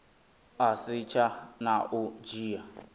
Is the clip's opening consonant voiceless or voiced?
voiceless